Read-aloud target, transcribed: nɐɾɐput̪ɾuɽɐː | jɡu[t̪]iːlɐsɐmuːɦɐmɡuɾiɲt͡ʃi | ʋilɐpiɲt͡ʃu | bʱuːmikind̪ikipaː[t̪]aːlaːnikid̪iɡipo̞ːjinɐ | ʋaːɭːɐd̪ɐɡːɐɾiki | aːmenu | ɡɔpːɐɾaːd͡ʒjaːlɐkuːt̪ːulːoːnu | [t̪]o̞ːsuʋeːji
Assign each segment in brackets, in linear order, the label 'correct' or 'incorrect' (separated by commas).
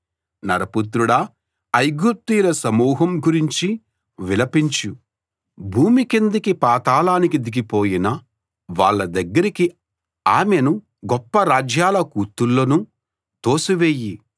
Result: correct, correct, correct